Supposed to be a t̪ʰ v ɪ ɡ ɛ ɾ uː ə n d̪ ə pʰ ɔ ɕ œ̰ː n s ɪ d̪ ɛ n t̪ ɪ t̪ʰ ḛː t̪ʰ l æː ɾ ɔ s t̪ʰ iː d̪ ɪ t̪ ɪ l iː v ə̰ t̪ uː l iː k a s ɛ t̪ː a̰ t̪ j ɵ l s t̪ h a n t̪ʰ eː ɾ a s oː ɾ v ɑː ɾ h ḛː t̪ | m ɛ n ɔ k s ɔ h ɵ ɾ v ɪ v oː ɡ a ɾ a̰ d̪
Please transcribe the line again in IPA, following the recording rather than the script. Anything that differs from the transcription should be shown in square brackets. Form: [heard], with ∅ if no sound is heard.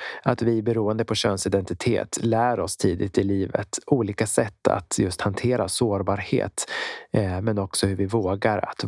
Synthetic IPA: a [t̪] v ɪ [b] ɛ ɾ uː ə n d̪ ə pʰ ɔ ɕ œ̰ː n s ɪ d̪ ɛ n t̪ ɪ t̪ʰ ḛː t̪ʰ l æː ɾ ɔ s t̪ʰ iː d̪ ɪ t̪ ɪ l iː v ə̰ t̪ uː l iː k a s ɛ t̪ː a̰ t̪ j ɵ [∅] s t̪ h a n t̪ʰ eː ɾ a s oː ɾ [b] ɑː ɾ h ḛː t̪ | m ɛ n ɔ k s ɔ h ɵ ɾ v ɪ v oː ɡ a ɾ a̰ [t̪]